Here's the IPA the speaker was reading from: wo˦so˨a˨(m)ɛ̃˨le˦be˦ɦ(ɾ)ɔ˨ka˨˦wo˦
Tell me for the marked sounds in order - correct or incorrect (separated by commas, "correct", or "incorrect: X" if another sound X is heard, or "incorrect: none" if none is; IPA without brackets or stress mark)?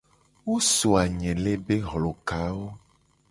incorrect: ɲ, incorrect: l